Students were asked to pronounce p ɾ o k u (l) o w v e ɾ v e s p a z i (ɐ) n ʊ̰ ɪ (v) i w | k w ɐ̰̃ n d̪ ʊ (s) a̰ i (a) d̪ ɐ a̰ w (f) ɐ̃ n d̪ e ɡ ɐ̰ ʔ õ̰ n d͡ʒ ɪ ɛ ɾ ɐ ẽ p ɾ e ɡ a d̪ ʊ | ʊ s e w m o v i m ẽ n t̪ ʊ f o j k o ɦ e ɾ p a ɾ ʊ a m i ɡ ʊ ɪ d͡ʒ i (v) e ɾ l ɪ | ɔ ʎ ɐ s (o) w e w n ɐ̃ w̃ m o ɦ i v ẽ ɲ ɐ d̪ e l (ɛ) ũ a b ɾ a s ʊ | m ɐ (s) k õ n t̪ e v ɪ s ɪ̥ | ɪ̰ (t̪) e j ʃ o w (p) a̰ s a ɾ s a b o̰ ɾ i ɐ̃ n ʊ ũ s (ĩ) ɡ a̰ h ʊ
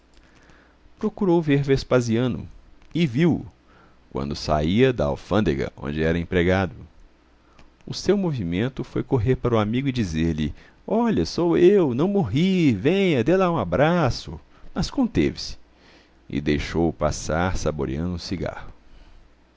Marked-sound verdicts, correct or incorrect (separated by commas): incorrect, incorrect, correct, correct, incorrect, correct, incorrect, correct, incorrect, correct, incorrect, correct, incorrect